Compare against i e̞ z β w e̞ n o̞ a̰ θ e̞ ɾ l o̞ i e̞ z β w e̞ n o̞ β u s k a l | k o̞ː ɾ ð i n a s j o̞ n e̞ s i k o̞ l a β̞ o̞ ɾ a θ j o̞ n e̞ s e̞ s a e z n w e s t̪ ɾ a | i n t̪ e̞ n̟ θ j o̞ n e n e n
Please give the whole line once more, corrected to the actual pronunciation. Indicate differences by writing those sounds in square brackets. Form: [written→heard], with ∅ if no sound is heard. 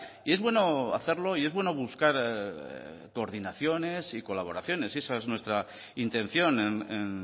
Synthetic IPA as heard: i e̞ z β w e̞ n o̞ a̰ θ e̞ ɾ l o̞ i e̞ z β w e̞ n o̞ β u s k a [l→ɾ] | k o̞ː ɾ ð i n a [s→θ] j o̞ n e̞ s i k o̞ l a β̞ o̞ ɾ a θ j o̞ n e̞ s e̞ s a e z n w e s t̪ ɾ a | i n t̪ e̞ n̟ θ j o̞ n e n e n